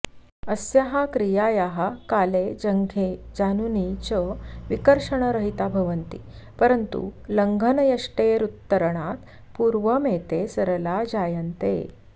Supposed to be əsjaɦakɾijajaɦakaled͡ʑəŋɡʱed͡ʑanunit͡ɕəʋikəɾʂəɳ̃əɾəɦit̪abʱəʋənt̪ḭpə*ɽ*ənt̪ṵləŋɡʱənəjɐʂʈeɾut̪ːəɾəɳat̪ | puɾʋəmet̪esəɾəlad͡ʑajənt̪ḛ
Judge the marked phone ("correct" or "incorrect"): incorrect